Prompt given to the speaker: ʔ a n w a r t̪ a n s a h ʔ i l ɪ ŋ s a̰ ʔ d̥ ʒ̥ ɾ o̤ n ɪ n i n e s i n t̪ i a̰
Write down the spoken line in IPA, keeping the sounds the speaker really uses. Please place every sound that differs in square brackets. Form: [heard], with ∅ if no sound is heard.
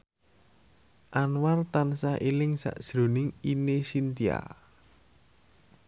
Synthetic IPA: ʔ a n w a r t̪ a n s a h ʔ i l ɪ ŋ s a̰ ʔ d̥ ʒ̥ ɾ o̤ n ɪ [ŋ] i n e s i n t̪ i a̰